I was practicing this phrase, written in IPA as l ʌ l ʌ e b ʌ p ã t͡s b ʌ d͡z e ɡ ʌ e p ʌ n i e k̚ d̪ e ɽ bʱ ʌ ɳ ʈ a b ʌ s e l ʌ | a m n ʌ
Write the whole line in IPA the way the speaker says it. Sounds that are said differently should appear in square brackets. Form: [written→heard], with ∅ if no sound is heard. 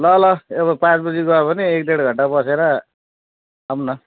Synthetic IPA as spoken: l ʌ l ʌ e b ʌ p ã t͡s b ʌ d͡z [e→i] ɡ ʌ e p ʌ n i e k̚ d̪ e ɽ [bʱ→ɡʱ] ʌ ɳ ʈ a b ʌ s e [l→ɾ] ʌ | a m n ʌ